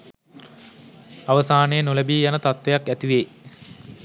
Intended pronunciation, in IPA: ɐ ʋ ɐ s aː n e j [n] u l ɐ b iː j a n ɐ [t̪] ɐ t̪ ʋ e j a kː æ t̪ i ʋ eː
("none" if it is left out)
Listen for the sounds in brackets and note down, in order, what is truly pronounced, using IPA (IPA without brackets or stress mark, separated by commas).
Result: n, t̪